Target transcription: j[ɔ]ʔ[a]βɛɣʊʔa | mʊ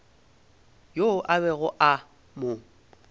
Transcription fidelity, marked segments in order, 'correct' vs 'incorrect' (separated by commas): incorrect, correct